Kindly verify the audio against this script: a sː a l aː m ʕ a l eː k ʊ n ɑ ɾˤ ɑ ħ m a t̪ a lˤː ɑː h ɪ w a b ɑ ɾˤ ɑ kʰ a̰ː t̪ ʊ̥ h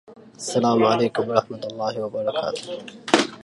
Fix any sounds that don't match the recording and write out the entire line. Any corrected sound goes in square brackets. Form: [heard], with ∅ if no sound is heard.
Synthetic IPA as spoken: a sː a l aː m ʕ a l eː k ʊ [m] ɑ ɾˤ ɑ ħ m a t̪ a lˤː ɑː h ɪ w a b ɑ ɾˤ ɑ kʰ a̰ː t̪ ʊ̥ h